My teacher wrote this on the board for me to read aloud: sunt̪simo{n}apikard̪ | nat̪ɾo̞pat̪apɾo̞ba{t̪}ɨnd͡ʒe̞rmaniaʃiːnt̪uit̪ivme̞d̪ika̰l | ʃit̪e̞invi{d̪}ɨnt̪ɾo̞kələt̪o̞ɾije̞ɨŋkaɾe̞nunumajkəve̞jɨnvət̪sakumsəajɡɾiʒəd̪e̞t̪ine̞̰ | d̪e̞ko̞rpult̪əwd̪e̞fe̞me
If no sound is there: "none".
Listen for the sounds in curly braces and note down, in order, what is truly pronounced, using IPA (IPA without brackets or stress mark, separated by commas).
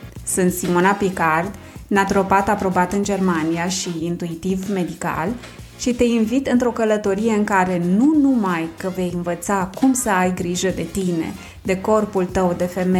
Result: n, t̪, t̪